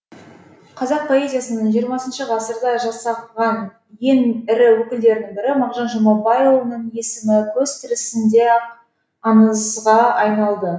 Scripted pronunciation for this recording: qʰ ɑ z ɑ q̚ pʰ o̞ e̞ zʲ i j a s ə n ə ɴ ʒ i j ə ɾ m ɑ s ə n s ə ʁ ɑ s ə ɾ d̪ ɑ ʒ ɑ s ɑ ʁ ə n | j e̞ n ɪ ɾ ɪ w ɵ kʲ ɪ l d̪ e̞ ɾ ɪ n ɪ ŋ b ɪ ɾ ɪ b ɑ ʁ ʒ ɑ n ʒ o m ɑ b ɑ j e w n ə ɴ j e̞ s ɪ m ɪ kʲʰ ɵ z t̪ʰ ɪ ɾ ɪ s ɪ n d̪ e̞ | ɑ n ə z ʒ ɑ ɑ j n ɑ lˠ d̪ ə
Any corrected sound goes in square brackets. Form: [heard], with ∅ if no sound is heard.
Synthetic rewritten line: qʰ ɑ z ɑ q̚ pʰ o̞ e̞ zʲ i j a s ə n ə ɴ ʒ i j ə ɾ m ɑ s ə n [ʃ] ə ʁ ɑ s ə ɾ d̪ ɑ ʒ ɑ s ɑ ʁ [ɑ] n | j e̞ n ɪ ɾ ɪ w ɵ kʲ ɪ l d̪ e̞ ɾ ɪ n ɪ ŋ b ɪ ɾ ɪ [m] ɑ ʁ ʒ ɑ n ʒ o m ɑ b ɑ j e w n ə ɴ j e̞ s ɪ m ɪ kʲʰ ɵ z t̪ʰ ɪ ɾ ɪ s ɪ n d̪ e̞ | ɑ n ə z [ʁ] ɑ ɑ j n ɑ lˠ d̪ ə